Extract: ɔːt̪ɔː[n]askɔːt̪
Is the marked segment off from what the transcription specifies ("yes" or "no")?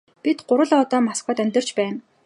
yes